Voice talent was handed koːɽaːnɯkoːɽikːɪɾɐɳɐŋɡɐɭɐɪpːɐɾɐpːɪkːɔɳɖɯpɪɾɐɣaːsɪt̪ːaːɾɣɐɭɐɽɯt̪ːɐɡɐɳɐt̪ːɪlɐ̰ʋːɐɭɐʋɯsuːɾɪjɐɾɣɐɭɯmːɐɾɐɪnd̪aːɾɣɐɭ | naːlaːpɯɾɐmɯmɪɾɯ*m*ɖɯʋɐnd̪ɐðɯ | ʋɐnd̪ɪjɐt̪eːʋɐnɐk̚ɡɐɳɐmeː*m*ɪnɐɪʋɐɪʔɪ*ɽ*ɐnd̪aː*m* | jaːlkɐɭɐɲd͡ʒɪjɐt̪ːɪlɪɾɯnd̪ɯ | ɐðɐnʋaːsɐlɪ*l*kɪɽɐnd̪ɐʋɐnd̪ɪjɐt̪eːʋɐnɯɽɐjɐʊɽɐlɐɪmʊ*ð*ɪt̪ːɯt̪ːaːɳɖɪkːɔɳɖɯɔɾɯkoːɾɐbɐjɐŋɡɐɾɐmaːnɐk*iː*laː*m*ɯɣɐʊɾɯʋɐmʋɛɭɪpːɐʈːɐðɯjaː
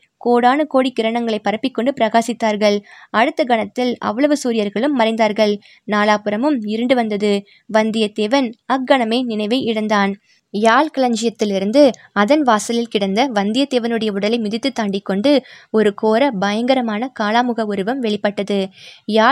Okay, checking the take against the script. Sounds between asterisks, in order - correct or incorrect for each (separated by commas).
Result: incorrect, incorrect, correct, incorrect, correct, correct, incorrect, correct